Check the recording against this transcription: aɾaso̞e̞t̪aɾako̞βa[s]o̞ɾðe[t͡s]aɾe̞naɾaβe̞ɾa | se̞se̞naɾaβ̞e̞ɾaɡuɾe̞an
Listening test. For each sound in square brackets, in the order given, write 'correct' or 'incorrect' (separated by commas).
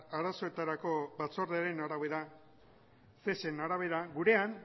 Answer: incorrect, incorrect